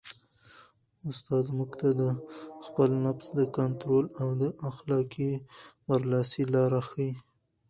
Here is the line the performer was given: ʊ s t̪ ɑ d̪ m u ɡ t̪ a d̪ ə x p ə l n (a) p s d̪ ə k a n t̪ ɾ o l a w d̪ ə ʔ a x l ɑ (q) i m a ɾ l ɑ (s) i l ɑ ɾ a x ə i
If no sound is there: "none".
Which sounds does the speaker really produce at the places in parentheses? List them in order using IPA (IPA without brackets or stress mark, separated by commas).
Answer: a, k, s